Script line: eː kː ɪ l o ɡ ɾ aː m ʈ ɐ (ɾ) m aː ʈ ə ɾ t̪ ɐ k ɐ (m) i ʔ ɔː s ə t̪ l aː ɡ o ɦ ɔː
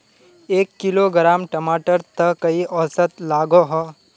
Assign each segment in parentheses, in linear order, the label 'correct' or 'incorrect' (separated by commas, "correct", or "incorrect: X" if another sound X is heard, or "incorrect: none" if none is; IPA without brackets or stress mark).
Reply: incorrect: none, incorrect: none